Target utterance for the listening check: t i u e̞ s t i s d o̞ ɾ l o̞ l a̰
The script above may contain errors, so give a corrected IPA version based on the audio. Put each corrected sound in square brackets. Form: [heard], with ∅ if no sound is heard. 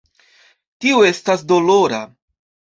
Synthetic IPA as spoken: t i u e̞ s t [a] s d o̞ [∅] l o̞ [ɾ] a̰